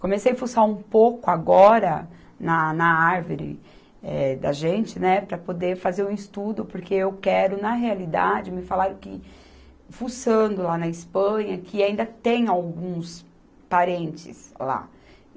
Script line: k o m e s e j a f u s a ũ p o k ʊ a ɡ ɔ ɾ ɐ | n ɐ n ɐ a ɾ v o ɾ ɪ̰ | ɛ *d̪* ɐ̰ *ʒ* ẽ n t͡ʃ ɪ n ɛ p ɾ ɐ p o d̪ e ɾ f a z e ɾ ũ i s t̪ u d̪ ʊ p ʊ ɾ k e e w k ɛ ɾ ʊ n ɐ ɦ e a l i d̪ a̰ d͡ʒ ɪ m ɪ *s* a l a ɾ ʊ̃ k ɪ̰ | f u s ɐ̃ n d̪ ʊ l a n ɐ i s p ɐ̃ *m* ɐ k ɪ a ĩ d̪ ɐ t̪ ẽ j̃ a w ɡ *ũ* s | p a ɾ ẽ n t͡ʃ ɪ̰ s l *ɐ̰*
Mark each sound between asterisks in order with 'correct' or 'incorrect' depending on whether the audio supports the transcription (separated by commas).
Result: correct, correct, incorrect, incorrect, correct, incorrect